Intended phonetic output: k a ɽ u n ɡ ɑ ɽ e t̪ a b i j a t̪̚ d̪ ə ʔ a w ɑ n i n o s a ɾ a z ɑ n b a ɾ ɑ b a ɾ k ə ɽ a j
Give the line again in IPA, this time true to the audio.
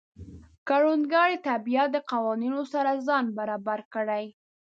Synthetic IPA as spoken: k a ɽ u n ɡ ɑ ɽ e t̪ a b i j a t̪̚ d̪ ə q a w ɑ n i n o s a ɾ a z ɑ n b a ɾ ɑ b a ɾ k ə ɽ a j